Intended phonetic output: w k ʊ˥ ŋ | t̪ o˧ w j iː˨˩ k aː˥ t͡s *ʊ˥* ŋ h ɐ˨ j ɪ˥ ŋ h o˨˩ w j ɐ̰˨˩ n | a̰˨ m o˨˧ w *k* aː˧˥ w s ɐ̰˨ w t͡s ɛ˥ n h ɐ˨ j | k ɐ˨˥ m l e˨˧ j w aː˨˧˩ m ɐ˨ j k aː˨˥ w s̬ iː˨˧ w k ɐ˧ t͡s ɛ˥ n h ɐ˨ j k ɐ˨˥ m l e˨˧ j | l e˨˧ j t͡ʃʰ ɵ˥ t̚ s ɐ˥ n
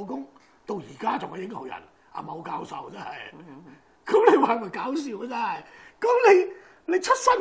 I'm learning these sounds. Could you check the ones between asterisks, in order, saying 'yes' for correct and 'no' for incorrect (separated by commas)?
no, yes